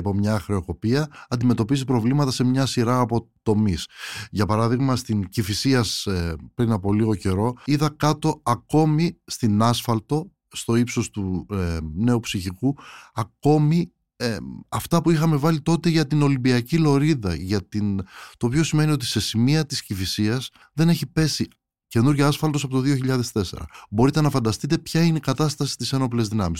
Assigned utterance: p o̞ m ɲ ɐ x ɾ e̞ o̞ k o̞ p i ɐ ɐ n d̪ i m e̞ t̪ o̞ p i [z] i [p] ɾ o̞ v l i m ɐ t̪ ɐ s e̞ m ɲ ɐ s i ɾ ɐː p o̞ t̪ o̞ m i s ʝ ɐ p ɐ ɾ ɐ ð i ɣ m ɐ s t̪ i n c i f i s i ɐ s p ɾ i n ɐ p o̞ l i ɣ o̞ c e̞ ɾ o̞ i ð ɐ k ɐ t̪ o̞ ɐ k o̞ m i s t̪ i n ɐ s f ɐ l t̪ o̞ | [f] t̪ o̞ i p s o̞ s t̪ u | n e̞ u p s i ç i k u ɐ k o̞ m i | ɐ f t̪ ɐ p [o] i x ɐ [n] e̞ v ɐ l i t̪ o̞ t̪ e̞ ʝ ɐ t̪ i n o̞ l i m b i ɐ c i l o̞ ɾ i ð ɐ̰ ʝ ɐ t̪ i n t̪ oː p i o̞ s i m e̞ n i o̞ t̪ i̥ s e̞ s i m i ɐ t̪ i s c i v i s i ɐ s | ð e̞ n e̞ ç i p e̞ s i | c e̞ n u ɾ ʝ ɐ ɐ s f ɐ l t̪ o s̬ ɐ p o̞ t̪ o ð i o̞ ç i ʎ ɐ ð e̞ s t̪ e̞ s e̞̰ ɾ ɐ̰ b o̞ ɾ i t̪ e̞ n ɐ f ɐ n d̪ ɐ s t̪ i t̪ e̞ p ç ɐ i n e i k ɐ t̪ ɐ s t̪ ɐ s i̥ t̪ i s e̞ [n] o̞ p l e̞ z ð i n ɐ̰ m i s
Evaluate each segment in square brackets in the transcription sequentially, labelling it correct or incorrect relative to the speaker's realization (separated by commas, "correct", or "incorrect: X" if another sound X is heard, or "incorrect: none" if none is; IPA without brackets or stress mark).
correct, correct, incorrect: s, incorrect: u, incorrect: m, correct